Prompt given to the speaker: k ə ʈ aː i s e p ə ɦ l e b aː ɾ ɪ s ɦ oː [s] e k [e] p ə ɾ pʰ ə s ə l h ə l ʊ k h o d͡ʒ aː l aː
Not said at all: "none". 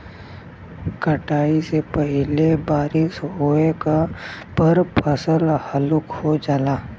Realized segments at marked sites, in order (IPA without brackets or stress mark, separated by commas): none, a